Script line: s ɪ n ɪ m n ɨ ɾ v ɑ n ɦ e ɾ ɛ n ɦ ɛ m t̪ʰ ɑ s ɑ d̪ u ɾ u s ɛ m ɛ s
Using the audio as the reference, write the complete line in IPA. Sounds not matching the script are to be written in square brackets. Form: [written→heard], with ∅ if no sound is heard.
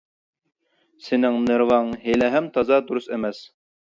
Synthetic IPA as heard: s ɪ n ɪ [m→ŋ] n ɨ ɾ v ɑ [n→ŋ] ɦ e [ɾ→l] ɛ [n→∅] ɦ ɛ m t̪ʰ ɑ [s→z] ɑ d̪ u ɾ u s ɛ m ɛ s